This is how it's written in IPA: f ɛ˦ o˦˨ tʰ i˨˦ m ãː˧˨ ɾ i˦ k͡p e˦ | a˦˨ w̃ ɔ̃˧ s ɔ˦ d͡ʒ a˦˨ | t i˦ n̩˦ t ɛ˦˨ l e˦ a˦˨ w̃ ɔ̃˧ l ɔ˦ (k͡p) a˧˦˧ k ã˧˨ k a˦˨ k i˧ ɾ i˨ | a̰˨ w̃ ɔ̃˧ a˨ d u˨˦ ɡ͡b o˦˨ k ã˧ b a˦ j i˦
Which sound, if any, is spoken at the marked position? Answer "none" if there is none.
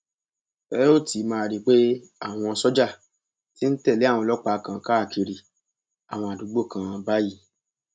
k͡p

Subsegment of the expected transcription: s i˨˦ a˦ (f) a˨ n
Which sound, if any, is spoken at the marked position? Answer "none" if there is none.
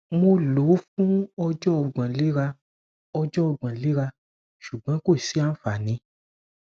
f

